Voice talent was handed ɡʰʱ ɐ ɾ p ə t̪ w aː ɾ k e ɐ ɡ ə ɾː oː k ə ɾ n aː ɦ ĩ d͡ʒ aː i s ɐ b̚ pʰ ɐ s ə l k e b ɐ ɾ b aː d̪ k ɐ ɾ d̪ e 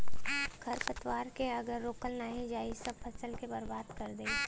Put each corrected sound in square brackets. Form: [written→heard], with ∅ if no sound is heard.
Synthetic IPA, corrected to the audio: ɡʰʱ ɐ ɾ p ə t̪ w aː ɾ k e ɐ ɡ ə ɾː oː k ə [ɾ→l] n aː ɦ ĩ d͡ʒ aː i s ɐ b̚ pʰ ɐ s ə l k e b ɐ ɾ b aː d̪ k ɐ ɾ d̪ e